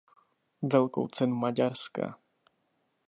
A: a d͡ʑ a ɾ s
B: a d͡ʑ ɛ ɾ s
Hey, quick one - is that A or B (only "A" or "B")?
A